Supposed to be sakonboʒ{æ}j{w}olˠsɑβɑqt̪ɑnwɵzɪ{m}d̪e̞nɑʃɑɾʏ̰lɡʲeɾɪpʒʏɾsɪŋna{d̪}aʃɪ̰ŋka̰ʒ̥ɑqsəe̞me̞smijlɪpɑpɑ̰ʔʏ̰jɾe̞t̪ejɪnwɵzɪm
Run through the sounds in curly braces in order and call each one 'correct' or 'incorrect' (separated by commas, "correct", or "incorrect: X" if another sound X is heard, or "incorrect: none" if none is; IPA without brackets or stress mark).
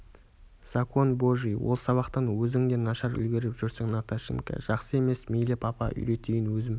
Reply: incorrect: i, correct, incorrect: ŋ, incorrect: t̪